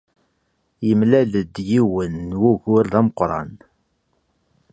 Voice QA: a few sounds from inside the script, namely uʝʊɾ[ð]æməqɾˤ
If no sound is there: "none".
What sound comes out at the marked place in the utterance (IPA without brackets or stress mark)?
ð